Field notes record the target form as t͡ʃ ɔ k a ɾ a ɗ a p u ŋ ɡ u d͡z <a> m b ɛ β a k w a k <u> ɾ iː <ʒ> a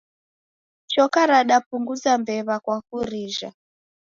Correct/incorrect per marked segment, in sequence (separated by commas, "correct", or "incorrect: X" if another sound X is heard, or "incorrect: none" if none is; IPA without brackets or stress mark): correct, correct, correct